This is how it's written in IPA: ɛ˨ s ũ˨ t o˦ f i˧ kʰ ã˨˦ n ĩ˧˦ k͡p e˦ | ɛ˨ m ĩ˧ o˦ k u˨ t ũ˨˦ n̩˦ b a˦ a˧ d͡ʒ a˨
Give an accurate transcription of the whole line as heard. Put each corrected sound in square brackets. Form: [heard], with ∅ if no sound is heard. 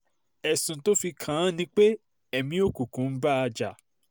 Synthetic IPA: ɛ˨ s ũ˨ t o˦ f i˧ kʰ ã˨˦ n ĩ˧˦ k͡p e˦ | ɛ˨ m ĩ˧ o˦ k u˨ [k] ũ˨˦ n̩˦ b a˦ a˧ d͡ʒ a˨